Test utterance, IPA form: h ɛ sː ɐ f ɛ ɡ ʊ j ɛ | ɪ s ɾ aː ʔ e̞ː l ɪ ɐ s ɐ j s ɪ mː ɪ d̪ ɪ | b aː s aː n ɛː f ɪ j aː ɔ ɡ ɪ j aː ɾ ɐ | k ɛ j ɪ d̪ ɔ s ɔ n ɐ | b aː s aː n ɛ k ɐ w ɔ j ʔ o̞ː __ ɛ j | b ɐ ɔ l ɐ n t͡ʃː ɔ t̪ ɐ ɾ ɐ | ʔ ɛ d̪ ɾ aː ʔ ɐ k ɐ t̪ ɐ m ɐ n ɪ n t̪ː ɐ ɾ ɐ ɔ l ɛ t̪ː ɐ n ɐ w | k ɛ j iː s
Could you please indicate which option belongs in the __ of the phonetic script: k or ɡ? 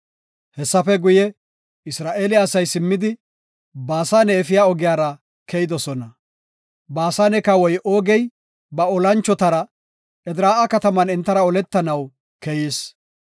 ɡ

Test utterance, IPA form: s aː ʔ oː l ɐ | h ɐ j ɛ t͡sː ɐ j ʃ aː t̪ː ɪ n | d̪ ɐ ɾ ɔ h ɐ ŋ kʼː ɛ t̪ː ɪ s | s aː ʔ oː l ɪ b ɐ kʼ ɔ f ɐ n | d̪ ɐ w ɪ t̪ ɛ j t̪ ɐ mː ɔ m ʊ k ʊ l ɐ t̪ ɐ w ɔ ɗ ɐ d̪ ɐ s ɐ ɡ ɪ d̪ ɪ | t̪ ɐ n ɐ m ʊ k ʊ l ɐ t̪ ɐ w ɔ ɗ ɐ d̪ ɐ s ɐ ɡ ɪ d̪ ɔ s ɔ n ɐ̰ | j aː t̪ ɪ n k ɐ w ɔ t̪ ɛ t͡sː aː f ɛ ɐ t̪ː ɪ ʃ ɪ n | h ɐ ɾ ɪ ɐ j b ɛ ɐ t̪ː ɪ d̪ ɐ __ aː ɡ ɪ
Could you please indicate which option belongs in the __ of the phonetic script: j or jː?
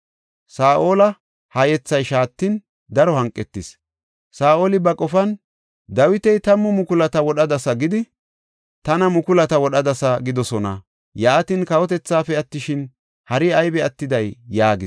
jː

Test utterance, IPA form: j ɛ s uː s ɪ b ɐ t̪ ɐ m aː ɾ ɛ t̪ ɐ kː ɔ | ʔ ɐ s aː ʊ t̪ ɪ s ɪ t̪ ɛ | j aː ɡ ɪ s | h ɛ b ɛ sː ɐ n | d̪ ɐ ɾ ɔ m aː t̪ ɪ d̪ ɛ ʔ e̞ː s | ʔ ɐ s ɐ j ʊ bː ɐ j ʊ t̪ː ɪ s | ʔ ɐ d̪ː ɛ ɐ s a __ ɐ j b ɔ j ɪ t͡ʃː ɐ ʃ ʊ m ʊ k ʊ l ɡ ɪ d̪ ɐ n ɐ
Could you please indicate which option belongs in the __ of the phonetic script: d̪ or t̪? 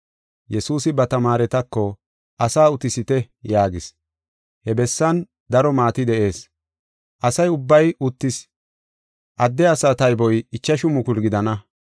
t̪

